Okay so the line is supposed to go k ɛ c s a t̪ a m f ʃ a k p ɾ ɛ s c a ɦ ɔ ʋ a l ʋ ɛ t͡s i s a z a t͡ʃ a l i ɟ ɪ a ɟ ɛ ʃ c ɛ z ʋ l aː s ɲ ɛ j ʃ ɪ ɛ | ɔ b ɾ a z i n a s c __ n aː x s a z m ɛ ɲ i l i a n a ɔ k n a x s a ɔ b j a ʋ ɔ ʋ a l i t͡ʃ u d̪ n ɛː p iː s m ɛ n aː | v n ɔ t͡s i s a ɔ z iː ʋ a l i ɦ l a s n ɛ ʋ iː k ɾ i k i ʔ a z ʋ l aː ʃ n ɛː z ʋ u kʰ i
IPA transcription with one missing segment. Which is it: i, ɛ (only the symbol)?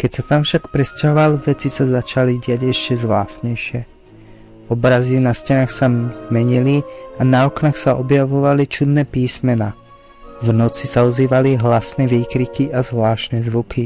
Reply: ɛ